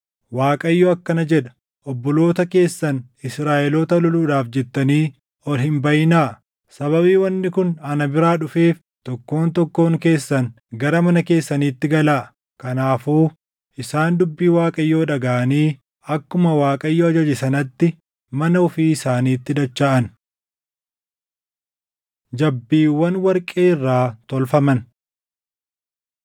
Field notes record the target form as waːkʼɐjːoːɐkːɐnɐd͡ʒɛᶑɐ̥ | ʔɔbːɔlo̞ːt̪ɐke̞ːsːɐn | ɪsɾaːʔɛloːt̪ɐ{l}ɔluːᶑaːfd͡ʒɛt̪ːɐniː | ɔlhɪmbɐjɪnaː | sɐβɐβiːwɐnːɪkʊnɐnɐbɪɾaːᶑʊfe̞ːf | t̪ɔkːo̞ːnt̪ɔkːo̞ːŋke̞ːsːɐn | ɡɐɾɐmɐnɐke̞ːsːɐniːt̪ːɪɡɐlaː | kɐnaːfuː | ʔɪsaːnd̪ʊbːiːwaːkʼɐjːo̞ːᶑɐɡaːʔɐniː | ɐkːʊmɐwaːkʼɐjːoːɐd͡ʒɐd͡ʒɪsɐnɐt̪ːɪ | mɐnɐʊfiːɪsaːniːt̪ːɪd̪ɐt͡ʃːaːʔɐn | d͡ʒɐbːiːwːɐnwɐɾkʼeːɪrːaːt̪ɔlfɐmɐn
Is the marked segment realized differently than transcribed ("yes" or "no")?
no